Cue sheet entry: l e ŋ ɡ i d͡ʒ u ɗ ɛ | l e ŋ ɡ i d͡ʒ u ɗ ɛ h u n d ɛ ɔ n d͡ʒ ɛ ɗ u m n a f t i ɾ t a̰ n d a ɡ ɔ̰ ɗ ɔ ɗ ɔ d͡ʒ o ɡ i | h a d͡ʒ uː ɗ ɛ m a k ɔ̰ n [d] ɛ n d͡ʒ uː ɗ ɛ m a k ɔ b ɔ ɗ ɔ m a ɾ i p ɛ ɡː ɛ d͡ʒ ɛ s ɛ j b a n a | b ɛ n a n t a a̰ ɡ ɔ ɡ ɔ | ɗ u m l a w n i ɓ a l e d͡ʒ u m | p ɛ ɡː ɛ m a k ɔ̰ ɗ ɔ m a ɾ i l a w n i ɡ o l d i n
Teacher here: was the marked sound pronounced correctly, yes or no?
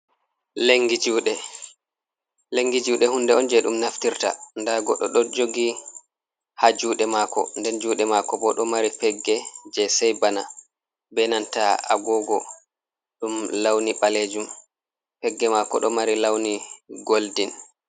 yes